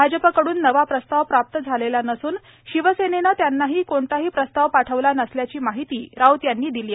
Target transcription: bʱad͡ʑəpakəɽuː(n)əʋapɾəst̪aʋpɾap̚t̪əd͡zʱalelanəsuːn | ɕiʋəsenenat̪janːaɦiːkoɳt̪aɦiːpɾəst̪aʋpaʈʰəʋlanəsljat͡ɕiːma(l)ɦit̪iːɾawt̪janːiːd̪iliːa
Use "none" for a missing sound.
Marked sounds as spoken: nː, none

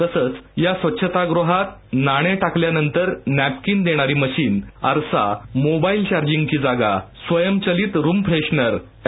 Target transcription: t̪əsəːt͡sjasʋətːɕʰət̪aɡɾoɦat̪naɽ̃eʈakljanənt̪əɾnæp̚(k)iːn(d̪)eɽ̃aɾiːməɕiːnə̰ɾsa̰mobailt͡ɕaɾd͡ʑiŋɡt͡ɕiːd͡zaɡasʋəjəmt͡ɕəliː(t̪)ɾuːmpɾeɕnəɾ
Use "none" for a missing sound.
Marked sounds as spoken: k, d̪, t̪

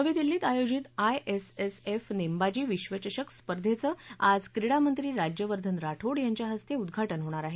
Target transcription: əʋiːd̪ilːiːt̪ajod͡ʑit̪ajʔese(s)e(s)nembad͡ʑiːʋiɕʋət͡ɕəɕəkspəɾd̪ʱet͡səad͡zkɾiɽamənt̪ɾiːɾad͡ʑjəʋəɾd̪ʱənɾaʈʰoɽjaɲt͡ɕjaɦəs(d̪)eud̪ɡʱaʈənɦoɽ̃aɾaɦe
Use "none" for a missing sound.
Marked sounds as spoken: s, f, t̪

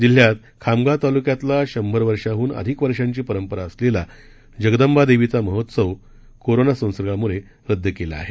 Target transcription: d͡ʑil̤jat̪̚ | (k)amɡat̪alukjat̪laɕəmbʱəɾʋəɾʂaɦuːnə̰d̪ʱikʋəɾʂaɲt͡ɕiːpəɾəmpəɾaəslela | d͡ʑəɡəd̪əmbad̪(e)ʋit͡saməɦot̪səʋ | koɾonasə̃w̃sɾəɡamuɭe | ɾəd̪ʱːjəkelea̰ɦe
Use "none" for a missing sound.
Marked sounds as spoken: kʰ, e

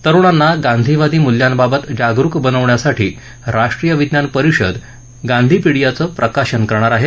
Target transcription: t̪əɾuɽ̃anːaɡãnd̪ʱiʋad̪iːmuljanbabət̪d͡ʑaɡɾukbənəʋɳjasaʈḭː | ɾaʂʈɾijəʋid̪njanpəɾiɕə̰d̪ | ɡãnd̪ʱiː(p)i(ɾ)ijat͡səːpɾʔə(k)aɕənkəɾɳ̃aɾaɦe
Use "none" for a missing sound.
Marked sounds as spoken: p, ɽ, k

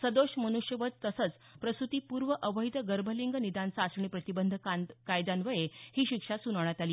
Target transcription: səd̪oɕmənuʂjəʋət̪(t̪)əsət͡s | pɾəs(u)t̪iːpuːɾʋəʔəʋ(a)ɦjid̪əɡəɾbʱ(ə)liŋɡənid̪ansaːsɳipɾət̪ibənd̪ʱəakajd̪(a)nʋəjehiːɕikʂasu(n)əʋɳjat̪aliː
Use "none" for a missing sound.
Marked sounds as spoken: t̪, u, ə, ə, a, n

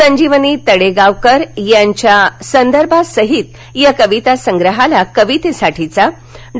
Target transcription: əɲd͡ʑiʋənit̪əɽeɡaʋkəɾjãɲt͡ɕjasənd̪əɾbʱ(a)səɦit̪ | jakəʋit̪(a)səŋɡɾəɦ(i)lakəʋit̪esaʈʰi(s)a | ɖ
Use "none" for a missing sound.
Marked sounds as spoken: a, a, a, t͡s

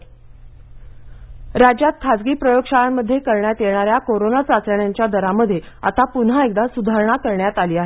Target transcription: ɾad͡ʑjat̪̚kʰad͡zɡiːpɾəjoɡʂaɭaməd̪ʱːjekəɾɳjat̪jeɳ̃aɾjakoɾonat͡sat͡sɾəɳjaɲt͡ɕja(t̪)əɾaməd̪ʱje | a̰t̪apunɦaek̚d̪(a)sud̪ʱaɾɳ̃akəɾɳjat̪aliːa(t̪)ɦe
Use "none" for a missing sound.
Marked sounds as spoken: d̪, a, none

